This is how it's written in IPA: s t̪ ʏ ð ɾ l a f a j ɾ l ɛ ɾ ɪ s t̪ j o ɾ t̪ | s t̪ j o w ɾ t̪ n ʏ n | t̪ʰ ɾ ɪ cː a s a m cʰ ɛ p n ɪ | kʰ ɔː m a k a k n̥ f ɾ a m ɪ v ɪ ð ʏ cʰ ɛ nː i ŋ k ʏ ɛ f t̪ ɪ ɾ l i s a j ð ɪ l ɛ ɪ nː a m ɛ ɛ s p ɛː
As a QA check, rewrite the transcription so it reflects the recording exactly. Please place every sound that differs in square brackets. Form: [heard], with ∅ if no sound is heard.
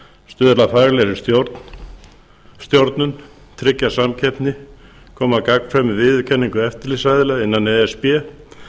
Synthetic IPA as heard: s t̪ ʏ ð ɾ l a f a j ɾ l ɛ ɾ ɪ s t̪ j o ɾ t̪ | s t̪ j o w ɾ t̪ n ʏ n | t̪ʰ ɾ ɪ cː a s a m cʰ ɛ p n ɪ | kʰ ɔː m a k a k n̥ f ɾ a m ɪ v ɪ ð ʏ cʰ ɛ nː i ŋ k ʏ ɛ f t̪ ɪ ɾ l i s a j ð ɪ l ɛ ɪ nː a [n] ɛ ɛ s p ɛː